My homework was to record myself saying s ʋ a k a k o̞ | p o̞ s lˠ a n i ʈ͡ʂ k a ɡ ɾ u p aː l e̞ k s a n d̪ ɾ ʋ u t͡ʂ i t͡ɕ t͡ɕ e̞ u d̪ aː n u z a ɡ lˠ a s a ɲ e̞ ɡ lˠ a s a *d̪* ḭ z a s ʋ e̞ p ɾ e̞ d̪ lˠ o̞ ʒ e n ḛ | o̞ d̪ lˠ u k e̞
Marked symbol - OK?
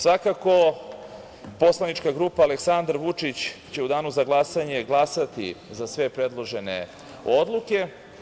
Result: no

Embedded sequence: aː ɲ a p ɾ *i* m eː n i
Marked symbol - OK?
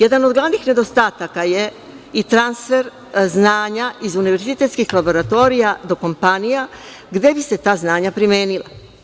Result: yes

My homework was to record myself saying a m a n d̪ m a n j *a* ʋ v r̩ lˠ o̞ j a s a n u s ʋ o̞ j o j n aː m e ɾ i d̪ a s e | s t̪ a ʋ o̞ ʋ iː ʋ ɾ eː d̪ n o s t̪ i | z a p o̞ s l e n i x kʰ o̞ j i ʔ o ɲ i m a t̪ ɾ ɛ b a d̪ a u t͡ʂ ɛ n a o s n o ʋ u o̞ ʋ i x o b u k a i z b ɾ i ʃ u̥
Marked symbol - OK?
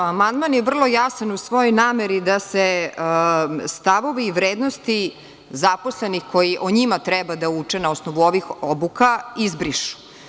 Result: no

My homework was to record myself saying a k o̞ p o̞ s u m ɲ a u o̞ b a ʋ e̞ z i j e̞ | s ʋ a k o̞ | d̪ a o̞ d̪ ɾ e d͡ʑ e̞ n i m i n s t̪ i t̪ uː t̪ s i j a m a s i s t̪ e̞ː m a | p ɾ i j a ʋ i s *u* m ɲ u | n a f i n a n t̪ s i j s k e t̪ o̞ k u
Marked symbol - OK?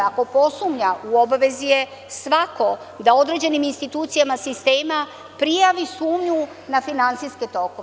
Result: no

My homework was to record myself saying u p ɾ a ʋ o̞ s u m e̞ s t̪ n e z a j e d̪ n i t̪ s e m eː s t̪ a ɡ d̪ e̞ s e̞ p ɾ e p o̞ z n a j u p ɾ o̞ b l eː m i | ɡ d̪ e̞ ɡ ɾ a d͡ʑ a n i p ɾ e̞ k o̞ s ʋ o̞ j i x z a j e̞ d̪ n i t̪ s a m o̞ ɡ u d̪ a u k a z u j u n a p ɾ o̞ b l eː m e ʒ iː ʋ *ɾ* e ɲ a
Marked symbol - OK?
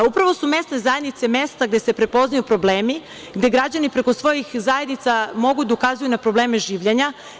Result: no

